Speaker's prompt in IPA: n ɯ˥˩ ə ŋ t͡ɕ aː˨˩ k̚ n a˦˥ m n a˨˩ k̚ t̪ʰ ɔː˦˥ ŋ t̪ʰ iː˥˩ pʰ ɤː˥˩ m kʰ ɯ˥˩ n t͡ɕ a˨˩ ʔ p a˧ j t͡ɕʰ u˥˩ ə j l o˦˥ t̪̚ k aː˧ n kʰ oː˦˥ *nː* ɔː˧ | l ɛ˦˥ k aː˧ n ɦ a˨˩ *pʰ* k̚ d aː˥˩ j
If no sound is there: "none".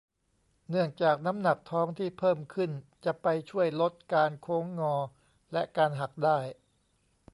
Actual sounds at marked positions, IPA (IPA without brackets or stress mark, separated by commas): ŋː, none